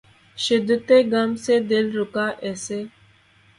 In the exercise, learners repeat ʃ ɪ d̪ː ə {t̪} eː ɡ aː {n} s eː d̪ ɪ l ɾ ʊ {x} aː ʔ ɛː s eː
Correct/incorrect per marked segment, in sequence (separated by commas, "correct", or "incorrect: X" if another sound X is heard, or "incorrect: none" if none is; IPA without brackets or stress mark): correct, incorrect: m, incorrect: k